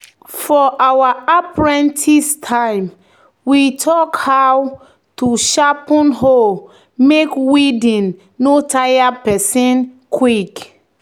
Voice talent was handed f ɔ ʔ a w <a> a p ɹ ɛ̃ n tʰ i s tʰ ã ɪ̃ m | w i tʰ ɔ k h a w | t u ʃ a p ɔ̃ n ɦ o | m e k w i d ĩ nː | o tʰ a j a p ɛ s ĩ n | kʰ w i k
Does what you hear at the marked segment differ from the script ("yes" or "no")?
no